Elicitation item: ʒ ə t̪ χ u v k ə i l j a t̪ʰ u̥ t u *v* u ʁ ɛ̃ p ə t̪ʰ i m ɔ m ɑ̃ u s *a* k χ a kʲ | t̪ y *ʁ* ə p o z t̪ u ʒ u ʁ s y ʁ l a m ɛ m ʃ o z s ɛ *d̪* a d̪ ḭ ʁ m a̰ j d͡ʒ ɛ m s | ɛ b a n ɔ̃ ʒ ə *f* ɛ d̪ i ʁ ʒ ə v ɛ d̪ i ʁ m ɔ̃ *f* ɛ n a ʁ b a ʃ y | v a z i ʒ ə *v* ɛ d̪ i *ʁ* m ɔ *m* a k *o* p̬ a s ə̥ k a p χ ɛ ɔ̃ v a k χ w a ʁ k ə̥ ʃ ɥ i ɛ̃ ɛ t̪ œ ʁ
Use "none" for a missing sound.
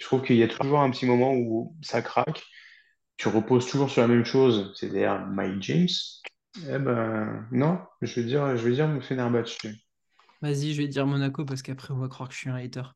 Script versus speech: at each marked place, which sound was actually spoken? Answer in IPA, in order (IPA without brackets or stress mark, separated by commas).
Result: ʒ, a, ʁ, t̪, v, f, v, ʁ, n, o